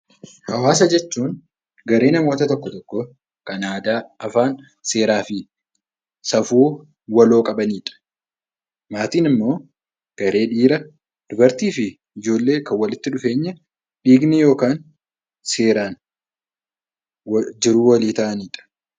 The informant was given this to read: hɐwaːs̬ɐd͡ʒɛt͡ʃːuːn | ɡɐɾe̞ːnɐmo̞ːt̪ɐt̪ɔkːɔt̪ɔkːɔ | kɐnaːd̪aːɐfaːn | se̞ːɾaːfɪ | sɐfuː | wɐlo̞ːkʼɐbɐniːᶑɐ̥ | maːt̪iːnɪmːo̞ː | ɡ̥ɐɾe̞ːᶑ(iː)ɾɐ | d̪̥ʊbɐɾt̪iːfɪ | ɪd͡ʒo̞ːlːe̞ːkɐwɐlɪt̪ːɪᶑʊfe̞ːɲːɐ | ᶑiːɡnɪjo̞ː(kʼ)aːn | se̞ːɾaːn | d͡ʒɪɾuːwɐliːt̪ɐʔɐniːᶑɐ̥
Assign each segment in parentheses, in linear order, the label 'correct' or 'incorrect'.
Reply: correct, incorrect

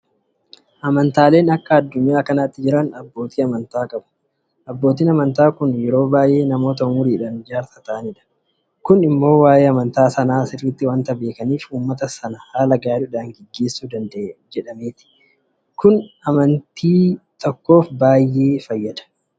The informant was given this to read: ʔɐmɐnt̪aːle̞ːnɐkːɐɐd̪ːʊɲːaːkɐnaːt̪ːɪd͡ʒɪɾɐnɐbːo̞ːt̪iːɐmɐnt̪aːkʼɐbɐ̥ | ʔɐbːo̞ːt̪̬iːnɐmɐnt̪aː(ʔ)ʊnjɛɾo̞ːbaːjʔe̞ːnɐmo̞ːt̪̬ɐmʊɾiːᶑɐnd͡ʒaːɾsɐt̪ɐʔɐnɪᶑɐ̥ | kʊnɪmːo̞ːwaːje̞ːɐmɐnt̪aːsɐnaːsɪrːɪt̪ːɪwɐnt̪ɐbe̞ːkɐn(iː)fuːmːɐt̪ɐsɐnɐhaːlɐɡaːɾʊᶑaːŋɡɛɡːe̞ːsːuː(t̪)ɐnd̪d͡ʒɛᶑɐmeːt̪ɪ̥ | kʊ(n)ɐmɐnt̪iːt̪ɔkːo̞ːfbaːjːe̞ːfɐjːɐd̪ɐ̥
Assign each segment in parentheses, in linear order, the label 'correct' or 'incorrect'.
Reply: incorrect, correct, incorrect, correct

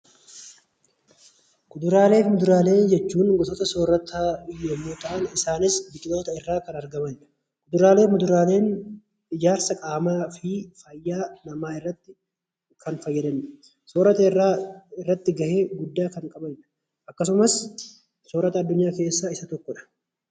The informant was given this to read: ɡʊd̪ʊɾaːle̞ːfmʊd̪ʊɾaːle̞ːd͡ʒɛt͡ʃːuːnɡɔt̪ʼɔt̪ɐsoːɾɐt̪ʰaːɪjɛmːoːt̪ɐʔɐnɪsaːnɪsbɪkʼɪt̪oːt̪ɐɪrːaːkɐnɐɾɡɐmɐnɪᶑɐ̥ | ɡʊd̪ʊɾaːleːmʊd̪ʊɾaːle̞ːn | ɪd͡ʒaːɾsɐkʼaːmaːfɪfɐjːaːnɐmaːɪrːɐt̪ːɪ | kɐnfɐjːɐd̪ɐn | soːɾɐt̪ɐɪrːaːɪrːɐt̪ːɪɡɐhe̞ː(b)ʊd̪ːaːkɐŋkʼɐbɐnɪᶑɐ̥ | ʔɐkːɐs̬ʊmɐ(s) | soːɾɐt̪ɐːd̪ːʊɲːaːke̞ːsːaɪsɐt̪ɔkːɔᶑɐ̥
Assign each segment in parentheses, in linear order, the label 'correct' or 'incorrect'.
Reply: incorrect, correct

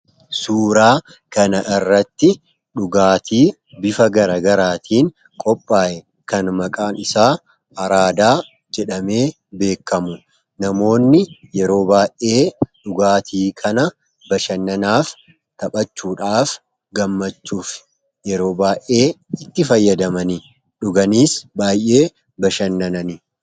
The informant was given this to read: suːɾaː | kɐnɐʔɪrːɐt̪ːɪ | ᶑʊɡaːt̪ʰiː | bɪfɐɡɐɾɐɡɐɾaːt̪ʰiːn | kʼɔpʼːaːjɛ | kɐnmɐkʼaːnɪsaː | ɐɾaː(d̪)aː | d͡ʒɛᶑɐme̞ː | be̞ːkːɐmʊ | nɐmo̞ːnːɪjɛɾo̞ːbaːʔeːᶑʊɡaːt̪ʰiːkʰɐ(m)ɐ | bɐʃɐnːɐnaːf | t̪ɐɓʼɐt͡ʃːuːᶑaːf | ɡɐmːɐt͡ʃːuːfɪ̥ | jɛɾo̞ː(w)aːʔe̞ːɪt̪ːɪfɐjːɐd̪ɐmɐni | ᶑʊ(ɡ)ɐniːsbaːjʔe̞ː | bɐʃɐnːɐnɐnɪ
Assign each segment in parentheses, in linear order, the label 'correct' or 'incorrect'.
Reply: correct, incorrect, incorrect, correct

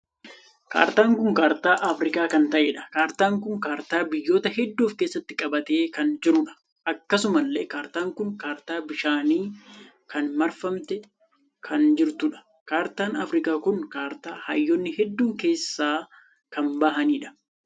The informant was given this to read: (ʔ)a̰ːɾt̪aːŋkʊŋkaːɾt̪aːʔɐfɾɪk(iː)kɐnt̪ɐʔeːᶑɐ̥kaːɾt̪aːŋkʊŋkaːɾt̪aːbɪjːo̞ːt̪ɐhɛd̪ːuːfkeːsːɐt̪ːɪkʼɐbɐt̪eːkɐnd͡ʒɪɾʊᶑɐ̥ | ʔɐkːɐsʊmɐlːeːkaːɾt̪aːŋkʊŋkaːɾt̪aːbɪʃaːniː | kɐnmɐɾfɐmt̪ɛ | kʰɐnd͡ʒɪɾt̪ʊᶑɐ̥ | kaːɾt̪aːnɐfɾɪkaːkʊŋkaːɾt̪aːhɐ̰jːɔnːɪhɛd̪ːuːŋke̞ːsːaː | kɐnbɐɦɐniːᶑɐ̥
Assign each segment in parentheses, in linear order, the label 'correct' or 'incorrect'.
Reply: incorrect, incorrect

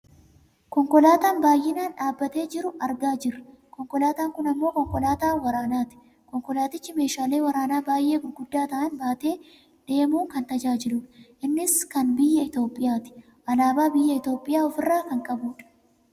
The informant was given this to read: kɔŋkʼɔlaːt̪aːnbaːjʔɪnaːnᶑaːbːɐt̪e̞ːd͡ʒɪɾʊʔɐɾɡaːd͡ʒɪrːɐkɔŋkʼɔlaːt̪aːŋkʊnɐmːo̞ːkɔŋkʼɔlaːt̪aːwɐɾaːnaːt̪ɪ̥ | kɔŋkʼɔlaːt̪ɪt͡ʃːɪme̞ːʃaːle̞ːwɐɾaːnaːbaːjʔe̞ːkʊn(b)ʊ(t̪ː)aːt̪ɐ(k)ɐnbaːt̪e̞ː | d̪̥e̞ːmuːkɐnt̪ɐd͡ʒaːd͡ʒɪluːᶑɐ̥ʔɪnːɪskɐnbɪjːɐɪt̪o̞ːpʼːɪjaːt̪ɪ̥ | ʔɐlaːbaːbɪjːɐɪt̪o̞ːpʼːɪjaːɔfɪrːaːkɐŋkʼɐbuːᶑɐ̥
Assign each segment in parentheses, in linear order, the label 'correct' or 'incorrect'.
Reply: incorrect, incorrect, incorrect

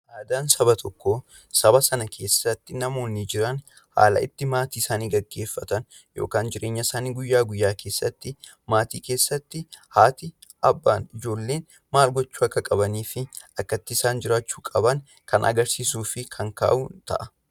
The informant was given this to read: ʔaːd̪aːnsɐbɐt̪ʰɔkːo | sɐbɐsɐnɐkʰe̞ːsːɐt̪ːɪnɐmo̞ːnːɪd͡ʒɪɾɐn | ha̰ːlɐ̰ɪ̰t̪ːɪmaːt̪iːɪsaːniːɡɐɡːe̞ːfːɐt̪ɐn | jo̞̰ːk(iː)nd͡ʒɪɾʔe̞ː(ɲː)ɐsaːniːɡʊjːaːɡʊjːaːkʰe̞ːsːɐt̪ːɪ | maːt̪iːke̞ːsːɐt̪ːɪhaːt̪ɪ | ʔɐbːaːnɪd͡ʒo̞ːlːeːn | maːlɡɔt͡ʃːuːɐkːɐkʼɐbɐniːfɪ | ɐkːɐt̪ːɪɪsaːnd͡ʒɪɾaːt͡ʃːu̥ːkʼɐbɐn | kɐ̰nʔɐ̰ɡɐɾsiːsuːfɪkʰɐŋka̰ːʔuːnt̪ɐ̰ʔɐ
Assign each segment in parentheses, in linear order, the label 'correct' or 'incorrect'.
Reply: incorrect, correct

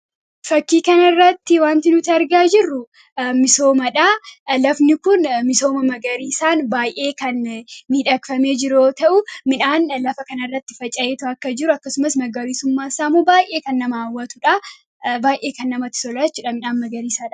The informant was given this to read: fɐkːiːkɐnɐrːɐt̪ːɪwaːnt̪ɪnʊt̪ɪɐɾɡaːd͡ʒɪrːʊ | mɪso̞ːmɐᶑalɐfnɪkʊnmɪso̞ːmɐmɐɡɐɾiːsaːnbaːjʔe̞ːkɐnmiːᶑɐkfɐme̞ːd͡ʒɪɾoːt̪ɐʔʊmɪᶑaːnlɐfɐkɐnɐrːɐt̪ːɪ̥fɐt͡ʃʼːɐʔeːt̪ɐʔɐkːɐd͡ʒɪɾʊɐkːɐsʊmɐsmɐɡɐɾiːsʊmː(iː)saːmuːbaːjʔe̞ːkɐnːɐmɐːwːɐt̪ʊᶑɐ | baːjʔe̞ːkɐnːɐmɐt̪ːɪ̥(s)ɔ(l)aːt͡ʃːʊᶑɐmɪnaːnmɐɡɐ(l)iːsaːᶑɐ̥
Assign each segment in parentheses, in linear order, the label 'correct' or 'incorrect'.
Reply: incorrect, correct, correct, incorrect

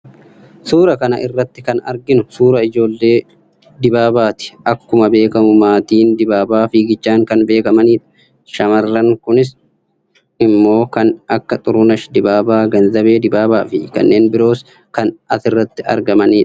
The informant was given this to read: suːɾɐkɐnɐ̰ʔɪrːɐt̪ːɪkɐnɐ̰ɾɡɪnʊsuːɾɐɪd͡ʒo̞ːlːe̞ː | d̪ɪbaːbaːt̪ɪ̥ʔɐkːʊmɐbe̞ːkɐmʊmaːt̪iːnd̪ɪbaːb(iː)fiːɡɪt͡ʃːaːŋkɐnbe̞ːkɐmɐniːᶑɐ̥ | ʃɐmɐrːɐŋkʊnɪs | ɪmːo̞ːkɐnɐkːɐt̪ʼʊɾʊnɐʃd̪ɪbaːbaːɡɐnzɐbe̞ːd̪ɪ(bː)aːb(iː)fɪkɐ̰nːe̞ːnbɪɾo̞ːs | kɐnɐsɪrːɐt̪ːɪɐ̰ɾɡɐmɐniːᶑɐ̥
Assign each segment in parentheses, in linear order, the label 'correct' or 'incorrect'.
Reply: incorrect, incorrect, incorrect

